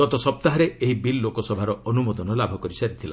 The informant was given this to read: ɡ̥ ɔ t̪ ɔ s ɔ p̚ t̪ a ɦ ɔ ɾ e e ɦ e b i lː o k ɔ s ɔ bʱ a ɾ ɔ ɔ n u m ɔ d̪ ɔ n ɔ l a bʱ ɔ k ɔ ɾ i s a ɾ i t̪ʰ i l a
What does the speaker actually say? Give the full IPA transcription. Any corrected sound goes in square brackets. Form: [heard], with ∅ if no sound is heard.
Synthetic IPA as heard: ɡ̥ ɔ t̪ ɔ s ɔ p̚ t̪ a ɦ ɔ ɾ e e ɦ [i] b i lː o k ɔ s ɔ bʱ a ɾ ɔ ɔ n u m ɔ d̪ ɔ n ɔ l a bʱ ɔ k ɔ ɾ i s a ɾ i t̪ʰ i l a